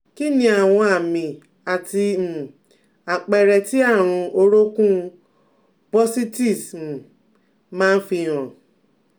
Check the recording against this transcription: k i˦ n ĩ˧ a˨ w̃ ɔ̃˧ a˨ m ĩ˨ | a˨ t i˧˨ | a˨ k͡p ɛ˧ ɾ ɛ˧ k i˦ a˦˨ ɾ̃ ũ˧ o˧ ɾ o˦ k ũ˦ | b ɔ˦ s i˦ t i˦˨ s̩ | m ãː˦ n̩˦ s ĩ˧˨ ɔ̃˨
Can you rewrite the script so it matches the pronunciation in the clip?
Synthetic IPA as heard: k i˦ n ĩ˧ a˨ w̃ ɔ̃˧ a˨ m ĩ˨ | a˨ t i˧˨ | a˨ k͡p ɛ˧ ɾ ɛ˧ t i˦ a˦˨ ɾ̃ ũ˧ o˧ ɾ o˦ k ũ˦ | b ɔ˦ s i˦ t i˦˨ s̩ | m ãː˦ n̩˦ f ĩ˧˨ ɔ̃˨